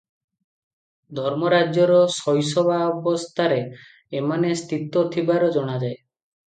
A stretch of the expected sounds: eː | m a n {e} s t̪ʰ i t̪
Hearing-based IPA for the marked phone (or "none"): e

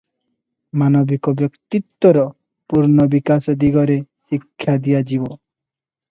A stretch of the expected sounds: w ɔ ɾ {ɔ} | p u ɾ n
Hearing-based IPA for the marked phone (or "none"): ɔ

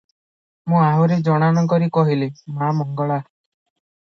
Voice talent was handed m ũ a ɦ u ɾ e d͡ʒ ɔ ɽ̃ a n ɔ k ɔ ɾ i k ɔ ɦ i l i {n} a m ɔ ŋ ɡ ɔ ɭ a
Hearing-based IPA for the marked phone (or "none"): m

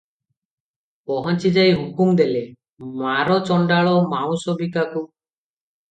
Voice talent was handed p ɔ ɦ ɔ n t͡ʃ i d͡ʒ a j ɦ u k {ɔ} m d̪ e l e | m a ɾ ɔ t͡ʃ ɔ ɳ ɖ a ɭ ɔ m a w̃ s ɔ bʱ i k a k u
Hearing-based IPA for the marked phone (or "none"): u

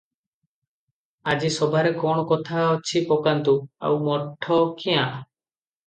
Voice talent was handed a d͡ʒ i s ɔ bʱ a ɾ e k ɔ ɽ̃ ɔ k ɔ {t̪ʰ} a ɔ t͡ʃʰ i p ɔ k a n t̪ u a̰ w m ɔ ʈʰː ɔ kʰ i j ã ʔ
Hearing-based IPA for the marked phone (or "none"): t̪ʰ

